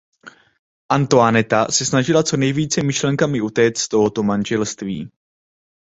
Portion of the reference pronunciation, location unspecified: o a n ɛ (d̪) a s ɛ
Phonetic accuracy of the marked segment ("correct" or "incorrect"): incorrect